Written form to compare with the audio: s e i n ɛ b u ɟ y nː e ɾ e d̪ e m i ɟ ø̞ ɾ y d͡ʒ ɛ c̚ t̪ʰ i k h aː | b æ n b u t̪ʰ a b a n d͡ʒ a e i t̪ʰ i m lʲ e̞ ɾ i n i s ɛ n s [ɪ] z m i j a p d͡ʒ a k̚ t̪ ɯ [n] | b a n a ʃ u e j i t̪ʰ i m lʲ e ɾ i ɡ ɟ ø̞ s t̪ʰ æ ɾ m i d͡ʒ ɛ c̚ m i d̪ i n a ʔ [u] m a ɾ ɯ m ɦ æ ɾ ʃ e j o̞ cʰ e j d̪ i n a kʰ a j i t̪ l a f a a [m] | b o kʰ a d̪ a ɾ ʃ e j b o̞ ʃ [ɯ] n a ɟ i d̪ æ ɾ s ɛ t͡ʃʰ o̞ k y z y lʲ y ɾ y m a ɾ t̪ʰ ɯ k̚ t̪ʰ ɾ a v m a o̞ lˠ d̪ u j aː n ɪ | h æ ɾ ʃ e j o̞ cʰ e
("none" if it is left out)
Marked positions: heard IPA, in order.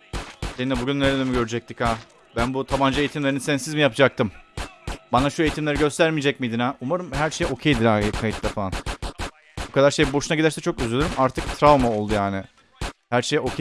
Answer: i, m, u, n, u

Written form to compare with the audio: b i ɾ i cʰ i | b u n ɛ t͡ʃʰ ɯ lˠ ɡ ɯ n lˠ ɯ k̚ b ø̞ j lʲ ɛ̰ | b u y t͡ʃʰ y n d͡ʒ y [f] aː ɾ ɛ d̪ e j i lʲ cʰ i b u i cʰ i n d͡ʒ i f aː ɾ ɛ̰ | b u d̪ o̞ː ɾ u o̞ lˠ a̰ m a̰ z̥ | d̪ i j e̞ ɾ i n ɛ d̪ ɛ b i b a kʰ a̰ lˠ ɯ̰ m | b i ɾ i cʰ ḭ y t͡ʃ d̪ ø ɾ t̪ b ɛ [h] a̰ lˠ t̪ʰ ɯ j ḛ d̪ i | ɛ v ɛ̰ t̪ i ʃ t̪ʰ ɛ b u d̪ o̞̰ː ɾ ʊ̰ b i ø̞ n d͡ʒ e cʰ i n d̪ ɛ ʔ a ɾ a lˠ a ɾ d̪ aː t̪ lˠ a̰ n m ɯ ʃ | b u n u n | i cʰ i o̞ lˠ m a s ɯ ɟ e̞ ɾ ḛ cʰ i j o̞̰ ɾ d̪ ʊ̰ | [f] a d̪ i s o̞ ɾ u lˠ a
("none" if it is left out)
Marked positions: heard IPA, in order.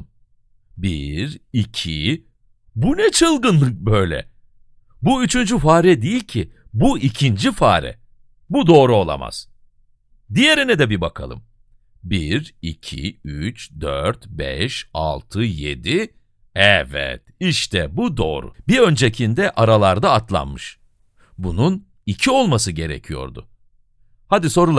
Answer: f, ʃ, h

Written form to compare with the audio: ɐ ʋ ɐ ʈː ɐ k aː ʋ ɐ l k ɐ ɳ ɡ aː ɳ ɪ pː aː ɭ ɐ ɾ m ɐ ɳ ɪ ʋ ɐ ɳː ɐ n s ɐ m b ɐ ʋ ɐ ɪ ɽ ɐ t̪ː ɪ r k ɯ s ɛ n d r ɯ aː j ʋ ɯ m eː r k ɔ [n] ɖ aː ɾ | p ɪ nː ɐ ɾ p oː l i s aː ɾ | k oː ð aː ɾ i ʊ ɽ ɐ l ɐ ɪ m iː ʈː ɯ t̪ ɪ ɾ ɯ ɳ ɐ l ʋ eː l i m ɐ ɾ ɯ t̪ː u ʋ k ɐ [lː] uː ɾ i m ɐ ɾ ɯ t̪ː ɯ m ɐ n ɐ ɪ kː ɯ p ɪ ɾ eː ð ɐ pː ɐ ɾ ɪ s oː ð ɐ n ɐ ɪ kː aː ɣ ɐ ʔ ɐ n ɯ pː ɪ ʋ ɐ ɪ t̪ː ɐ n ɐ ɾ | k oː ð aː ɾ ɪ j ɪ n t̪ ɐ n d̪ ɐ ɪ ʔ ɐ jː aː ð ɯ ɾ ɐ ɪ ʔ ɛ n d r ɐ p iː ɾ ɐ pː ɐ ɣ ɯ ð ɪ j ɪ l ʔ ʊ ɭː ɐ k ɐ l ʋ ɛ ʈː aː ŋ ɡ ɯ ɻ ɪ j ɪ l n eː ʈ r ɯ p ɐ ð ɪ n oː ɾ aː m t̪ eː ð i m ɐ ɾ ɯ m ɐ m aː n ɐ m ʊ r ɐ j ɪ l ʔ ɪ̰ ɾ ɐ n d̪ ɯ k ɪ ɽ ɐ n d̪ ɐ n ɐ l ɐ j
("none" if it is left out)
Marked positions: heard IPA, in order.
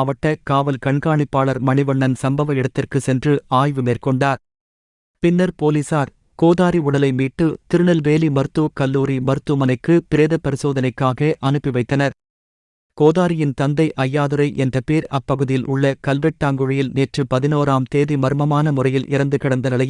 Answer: ɳ, lː

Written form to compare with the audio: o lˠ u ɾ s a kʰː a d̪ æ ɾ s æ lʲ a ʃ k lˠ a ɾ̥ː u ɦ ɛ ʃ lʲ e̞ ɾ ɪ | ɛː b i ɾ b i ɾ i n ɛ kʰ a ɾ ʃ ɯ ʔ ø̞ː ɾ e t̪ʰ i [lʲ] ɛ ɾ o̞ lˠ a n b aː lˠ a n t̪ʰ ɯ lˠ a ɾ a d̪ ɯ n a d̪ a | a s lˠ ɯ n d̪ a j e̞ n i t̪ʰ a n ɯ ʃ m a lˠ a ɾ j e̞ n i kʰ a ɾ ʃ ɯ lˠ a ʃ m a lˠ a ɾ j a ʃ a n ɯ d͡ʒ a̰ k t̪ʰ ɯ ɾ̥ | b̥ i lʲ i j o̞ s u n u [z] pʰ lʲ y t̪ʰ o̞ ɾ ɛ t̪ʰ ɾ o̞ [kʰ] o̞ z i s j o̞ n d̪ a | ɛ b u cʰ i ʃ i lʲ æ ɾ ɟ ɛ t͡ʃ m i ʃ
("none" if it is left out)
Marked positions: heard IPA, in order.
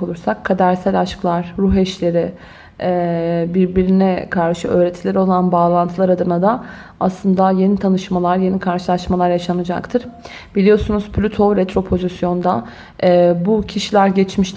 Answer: lʲ, z, pʰ

